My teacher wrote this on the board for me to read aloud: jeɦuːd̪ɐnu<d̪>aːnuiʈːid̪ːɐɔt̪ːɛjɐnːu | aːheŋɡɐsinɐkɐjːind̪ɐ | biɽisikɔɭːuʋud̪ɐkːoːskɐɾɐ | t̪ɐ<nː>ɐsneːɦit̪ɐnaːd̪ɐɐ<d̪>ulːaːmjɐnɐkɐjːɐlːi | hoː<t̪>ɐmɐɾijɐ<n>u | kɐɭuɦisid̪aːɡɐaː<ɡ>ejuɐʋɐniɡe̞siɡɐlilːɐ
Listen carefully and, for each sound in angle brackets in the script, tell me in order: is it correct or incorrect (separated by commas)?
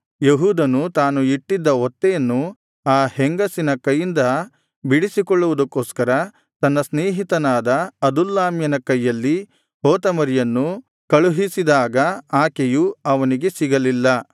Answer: incorrect, correct, correct, correct, incorrect, incorrect